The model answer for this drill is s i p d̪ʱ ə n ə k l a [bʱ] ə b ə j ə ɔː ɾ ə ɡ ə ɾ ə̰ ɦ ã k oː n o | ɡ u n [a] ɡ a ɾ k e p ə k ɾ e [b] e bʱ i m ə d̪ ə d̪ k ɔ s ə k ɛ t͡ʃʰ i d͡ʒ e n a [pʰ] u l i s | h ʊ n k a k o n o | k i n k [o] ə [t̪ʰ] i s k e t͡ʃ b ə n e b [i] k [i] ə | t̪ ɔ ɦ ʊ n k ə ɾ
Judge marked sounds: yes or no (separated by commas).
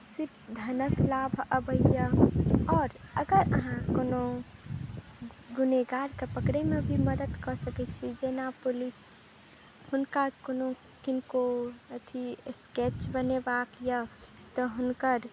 yes, no, no, no, yes, yes, no, no